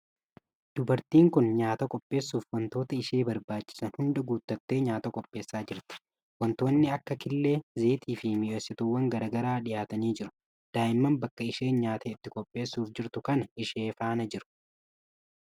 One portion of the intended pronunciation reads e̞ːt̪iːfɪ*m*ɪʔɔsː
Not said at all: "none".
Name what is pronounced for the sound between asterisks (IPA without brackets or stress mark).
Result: m